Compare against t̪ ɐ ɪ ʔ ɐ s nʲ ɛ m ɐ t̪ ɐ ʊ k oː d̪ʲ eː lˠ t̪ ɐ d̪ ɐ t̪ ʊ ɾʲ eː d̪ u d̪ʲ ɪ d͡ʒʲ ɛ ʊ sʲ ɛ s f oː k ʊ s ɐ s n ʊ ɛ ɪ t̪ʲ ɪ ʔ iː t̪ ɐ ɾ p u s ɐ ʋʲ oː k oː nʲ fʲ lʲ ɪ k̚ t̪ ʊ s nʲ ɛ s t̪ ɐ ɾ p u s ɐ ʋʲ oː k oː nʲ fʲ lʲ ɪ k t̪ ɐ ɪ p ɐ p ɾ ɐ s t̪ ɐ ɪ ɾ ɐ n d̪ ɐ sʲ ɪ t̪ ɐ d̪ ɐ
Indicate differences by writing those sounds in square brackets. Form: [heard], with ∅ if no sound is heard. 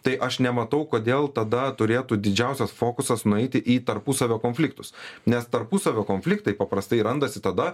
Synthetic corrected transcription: t̪ ɐ ɪ ʔ ɐ [ʃ] nʲ ɛ m ɐ t̪ ɐ ʊ k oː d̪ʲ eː lˠ t̪ ɐ d̪ ɐ t̪ ʊ ɾʲ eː [t̪] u d̪ʲ ɪ d͡ʒʲ ɛ ʊ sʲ ɛ s f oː k ʊ s ɐ s n ʊ ɛ ɪ t̪ʲ ɪ ʔ iː t̪ ɐ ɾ p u s ɐ ʋʲ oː k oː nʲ fʲ lʲ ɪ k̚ t̪ ʊ s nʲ ɛ s t̪ ɐ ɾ p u s ɐ ʋʲ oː k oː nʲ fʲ lʲ ɪ k t̪ ɐ ɪ p ɐ p ɾ ɐ s t̪ ɐ ɪ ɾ ɐ n d̪ ɐ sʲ ɪ t̪ ɐ d̪ ɐ